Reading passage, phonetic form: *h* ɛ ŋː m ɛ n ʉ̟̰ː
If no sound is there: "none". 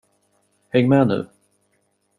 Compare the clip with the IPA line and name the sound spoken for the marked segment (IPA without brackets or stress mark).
h